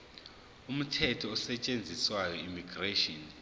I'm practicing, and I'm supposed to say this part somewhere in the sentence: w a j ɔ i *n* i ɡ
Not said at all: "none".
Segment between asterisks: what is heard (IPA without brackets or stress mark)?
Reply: m